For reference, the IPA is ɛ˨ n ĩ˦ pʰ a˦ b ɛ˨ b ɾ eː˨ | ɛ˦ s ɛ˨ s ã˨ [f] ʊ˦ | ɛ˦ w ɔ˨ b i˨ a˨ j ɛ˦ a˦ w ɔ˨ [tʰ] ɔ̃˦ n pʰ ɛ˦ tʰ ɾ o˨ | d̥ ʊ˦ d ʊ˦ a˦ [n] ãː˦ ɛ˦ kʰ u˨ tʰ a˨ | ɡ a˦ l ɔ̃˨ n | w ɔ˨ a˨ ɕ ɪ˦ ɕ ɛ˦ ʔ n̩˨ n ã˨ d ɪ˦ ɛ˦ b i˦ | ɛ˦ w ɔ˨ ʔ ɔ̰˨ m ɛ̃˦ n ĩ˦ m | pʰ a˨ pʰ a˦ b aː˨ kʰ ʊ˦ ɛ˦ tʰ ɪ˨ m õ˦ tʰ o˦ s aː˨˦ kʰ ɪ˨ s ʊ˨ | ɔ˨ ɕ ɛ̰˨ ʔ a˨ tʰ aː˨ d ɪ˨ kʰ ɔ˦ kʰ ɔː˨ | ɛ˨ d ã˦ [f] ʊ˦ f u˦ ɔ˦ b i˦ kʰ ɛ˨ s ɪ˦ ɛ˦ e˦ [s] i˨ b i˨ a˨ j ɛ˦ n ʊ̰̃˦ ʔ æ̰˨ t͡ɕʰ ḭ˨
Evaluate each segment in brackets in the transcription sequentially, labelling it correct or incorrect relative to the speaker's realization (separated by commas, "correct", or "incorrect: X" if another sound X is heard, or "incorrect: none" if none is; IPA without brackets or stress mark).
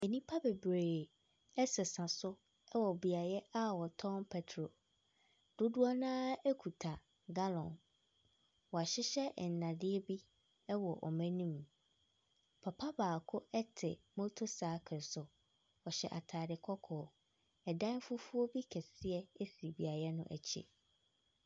incorrect: s, correct, correct, correct, correct